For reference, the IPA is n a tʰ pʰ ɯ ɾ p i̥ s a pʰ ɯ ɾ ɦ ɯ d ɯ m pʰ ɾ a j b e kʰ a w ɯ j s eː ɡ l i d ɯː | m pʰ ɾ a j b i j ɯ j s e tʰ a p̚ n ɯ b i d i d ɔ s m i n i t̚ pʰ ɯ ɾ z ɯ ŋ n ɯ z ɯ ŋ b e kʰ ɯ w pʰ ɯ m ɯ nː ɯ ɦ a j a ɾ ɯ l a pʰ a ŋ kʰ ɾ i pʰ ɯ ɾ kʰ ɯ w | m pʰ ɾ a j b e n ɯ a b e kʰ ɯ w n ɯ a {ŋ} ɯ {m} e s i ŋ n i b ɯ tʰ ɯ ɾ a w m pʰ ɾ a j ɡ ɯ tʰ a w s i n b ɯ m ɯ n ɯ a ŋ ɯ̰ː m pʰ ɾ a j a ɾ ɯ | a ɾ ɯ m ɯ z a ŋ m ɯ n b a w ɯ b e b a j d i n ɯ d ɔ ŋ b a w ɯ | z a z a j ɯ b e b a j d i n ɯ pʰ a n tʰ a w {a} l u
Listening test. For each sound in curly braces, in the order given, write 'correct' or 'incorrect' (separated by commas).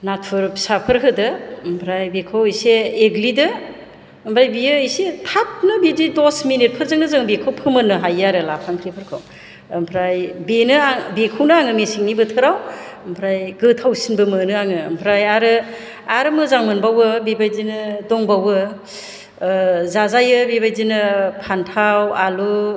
correct, correct, correct